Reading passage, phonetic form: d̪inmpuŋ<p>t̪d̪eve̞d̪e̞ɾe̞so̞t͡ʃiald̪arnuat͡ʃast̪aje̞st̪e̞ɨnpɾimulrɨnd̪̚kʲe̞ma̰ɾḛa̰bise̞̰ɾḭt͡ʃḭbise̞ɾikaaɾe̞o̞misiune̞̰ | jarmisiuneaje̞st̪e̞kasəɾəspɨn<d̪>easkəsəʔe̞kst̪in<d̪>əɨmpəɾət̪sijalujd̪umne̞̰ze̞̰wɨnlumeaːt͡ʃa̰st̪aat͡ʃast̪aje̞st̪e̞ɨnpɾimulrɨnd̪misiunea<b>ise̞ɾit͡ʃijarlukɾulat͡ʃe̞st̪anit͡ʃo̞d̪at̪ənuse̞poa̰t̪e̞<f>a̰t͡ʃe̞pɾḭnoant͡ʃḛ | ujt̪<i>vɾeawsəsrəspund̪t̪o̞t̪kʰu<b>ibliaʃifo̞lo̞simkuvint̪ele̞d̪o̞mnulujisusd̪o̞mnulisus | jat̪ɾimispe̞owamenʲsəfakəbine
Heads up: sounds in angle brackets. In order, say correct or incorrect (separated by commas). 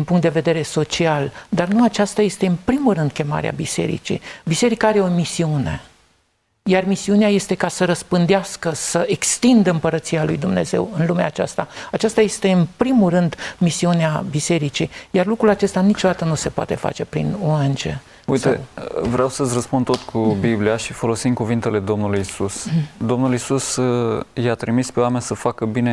incorrect, correct, correct, correct, correct, incorrect, correct